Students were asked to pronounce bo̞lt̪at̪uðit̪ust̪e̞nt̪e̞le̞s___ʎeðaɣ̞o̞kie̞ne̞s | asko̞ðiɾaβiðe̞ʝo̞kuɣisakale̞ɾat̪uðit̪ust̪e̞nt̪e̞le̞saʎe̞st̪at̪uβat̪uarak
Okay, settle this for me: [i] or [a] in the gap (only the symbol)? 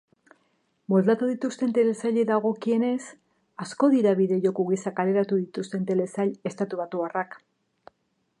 a